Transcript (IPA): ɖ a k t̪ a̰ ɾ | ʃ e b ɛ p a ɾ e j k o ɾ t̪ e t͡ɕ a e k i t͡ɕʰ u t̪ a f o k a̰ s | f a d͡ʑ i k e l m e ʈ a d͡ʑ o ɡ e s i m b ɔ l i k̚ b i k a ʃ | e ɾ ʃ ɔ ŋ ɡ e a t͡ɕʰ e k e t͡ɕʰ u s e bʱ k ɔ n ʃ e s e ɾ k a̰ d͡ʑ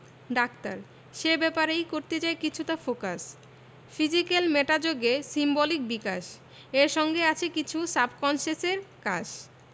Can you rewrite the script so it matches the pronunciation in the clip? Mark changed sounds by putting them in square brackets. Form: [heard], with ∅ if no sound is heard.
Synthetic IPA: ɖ a k t̪ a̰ ɾ | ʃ e b ɛ p a ɾ e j k o ɾ t̪ e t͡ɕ a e k i t͡ɕʰ u t̪ a f o k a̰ s | f [i] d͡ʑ i k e l m e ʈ a d͡ʑ o ɡ e s i m b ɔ l i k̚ b i k a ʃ | e ɾ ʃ ɔ ŋ ɡ e a t͡ɕʰ e k [i] t͡ɕʰ u s [a] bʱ k ɔ n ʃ e s e ɾ k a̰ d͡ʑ